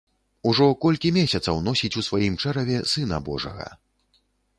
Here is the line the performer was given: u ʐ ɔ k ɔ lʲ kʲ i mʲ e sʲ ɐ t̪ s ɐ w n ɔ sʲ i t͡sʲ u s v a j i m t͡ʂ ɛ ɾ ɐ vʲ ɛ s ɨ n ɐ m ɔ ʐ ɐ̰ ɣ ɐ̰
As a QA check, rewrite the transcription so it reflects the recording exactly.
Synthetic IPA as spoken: u ʐ ɔ k ɔ lʲ kʲ i mʲ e sʲ ɐ t̪ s ɐ w n ɔ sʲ i t͡sʲ u s v a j i m t͡ʂ ɛ ɾ ɐ vʲ ɛ s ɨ n ɐ b ɔ ʐ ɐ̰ ɣ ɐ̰

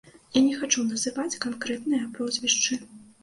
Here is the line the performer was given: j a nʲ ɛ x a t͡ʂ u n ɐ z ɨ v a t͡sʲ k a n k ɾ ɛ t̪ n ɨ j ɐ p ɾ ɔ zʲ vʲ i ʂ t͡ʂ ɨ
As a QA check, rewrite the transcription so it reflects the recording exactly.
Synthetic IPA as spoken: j a nʲ ɛ x a t͡ʂ u n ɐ z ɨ v a t͡sʲ k a n k ɾ ɛ t̪ n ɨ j ɐ p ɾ ɔ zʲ vʲ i ʂ t͡ʂ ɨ

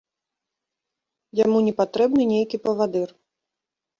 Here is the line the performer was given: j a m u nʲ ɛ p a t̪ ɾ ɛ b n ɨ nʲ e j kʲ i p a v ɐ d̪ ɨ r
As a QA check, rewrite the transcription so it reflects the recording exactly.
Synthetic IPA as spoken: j a m u nʲ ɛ p a t̪ ɾ ɛ b n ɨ nʲ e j kʲ i p ɐ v a d̪ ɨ r

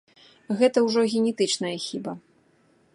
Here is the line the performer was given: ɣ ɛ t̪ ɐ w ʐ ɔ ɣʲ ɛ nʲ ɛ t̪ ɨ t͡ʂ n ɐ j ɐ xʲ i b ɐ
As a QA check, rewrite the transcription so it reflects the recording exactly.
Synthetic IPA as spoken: ɣ ɛ t̪ ɐ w ʐ ɔ ɣʲ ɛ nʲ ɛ t̪ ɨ t͡ʂ n ɐ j ɐ xʲ i b ɐ

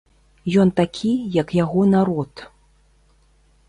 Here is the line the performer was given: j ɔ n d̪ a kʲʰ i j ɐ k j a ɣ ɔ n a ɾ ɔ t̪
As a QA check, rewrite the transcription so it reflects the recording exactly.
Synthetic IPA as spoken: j ɔ n t̪ a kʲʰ i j ɐ k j a ɣ ɔ n a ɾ ɔ t̪

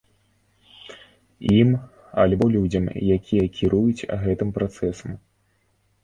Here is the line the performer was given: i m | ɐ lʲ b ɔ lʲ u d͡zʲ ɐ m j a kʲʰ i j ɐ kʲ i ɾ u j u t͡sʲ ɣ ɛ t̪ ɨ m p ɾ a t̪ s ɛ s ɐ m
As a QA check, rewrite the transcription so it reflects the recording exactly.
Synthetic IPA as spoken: i m | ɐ lʲ b ɔ lʲ u d͡zʲ ɐ m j a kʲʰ i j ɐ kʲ i ɾ u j u t͡sʲ ɣ ɛ t̪ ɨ m p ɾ a t̪ s ɛ s ɐ m

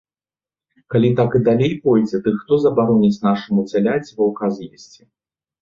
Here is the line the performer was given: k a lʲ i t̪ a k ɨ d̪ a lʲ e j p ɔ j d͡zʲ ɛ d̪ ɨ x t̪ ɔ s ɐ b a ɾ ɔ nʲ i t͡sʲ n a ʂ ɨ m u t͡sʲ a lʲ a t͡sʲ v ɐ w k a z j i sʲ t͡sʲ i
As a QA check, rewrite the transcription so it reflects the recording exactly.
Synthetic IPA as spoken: k a lʲ i t̪ a k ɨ d̪ a lʲ e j p ɔ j d͡zʲ ɛ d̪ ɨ x t̪ ɔ z ɐ b a ɾ ɔ nʲ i t͡sʲ n a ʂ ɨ m u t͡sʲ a lʲ a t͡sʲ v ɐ w k a z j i sʲ t͡sʲ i

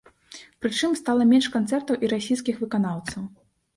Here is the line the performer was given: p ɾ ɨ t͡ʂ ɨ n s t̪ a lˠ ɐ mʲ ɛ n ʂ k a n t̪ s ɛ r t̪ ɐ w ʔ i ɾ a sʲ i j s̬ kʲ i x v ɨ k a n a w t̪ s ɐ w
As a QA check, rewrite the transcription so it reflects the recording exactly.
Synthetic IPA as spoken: p ɾ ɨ t͡ʂ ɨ m s t̪ a lˠ ɐ mʲ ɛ n ʂ k a n t̪ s ɛ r t̪ ɐ w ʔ i ɾ a sʲ i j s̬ kʲ i x v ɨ k a n a w t̪ s ɐ w

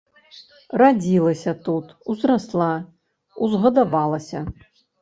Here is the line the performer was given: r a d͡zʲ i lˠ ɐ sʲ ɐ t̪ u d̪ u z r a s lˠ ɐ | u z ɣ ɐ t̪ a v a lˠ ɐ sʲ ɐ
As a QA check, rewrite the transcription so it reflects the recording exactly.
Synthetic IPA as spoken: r a d͡zʲ i lˠ ɐ sʲ ɐ t̪ u t̪ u z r a s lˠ a | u z ɣ ɐ d̪ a v a lˠ ɐ sʲ ɐ

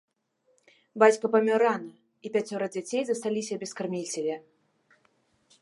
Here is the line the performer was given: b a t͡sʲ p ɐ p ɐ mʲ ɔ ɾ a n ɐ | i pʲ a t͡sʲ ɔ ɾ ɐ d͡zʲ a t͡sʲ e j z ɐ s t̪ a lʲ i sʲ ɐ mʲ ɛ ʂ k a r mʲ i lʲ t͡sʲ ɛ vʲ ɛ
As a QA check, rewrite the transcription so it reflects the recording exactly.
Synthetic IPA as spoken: b a t͡sʲ k ɐ p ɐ mʲ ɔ ɾ a n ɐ | i pʲ a t͡sʲ ɔ ɾ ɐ d͡zʲ a t͡sʲ e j z ɐ s t̪ a lʲ i sʲ ɐ bʲ ɛ s k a r mʲ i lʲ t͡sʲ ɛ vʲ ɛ

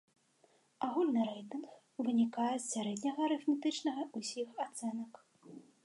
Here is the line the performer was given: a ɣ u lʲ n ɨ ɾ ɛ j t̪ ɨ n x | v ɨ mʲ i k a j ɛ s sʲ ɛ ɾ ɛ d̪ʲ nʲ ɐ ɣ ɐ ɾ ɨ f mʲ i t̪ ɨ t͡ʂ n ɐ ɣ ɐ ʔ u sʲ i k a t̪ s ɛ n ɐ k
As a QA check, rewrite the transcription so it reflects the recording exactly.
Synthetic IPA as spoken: a ɣ u lʲ n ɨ ɾ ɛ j t̪ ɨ n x | v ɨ nʲ i k a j ɛ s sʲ a ɾ ɛ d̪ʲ nʲ ɐ ɣ ɐ ɾ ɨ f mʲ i t̪ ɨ t͡ʂ n ɐ ɣ ɐ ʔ u sʲ i x a t̪ s ɛ n ɐ k

